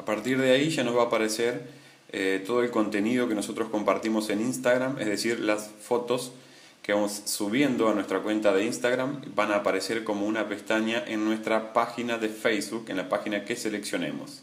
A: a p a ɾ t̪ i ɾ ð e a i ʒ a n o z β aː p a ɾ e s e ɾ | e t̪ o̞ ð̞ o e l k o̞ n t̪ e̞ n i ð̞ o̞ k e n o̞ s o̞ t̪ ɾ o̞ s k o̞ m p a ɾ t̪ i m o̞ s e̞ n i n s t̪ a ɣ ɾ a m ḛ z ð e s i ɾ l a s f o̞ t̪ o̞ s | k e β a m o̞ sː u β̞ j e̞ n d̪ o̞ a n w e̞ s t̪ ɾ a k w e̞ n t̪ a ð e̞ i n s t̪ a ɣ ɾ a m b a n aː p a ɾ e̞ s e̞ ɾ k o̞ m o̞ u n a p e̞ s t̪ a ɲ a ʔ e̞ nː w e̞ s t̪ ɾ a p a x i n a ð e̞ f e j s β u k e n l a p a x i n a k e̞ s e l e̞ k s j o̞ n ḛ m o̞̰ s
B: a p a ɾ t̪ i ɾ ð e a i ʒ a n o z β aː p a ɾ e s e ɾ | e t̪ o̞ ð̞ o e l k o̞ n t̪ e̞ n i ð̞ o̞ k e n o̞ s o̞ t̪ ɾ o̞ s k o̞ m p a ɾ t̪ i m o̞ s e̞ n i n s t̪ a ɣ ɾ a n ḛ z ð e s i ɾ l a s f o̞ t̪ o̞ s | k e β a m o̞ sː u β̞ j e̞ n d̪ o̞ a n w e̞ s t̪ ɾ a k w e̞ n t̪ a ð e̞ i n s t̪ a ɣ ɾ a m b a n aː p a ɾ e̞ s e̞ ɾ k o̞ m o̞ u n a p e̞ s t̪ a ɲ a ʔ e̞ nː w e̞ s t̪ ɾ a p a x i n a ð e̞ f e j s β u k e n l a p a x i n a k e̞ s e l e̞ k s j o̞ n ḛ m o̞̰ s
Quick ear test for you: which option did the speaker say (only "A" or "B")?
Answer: A